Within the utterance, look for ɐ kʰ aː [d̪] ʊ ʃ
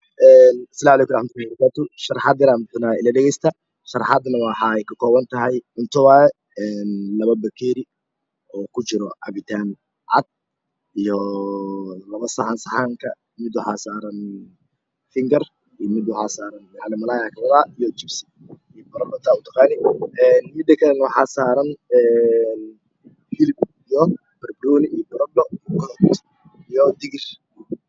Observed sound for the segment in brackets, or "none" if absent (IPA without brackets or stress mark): t̪